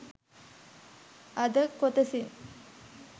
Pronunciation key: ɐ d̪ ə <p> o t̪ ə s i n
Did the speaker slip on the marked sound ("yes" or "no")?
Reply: yes